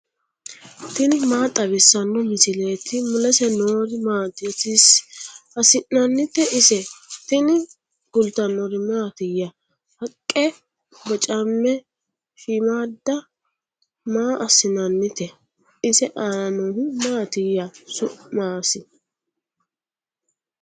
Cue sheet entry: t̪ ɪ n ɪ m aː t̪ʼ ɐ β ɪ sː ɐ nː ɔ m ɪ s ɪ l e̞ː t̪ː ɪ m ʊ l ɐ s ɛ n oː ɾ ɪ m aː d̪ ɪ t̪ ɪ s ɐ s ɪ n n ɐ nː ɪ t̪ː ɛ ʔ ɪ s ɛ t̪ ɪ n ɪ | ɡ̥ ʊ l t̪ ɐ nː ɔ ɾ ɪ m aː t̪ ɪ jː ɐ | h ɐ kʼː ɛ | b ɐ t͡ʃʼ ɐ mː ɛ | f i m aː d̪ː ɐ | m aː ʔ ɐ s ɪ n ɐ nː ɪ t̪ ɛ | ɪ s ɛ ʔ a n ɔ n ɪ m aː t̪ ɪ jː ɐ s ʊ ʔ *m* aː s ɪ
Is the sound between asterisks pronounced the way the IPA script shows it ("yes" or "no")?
yes